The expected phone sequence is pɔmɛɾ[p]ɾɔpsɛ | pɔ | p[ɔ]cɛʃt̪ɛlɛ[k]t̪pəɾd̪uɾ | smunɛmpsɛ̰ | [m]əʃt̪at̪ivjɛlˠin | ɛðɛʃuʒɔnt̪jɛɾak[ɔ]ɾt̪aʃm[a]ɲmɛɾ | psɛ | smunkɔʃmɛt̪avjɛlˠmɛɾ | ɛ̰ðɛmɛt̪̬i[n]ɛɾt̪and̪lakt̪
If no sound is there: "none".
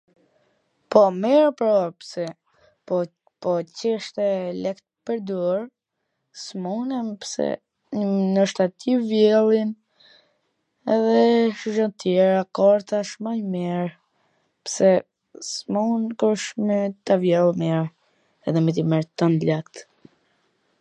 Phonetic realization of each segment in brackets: p, ɔ, k, n, ɔ, a, m

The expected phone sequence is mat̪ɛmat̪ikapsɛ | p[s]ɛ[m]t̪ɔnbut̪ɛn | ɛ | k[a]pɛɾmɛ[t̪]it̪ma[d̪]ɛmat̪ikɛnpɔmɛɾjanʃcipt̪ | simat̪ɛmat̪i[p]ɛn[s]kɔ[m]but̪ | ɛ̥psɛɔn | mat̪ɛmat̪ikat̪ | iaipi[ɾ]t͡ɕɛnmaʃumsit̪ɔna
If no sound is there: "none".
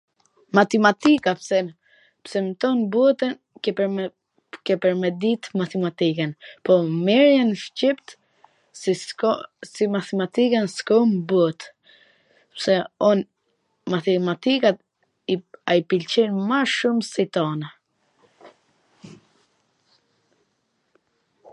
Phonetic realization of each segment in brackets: s, m, ɛ, d̪, t̪, k, s, m, l

